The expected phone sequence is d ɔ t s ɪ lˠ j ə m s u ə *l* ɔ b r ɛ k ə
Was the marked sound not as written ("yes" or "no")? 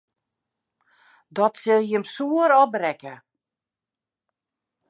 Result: yes